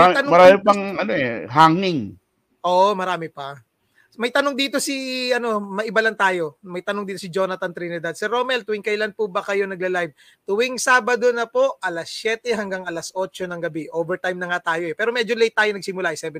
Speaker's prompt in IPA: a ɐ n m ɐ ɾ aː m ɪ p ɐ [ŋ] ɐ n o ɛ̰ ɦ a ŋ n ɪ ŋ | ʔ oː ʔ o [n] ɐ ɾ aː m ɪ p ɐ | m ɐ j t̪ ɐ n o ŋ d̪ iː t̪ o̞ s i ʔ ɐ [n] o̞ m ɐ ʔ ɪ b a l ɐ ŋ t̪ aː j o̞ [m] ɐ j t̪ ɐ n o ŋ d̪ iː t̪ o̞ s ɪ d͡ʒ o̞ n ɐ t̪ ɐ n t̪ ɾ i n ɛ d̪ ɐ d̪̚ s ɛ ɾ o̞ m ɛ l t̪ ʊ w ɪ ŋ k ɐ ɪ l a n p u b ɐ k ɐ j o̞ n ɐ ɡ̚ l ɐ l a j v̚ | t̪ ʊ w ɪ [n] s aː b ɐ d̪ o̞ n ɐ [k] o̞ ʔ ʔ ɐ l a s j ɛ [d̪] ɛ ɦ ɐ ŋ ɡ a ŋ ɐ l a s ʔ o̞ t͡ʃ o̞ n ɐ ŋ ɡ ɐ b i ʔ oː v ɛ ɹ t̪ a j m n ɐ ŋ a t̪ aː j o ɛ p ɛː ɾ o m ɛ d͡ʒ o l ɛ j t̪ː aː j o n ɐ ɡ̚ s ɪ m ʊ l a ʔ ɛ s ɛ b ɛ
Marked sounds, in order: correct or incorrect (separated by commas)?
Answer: correct, incorrect, correct, correct, incorrect, incorrect, incorrect